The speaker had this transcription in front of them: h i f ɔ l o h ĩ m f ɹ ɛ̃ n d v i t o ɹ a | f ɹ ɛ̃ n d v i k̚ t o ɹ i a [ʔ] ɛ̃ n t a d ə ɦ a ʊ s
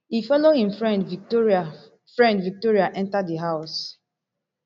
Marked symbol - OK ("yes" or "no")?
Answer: yes